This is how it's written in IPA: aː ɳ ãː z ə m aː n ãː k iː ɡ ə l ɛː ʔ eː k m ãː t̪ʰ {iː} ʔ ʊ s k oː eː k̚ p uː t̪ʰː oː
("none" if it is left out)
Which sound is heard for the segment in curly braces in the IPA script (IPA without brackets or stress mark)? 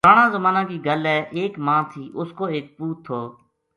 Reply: iː